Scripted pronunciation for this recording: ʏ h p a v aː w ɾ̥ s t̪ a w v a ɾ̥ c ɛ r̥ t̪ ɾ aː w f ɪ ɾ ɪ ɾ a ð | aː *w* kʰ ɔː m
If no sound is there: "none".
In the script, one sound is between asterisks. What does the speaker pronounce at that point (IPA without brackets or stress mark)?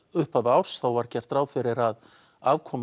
v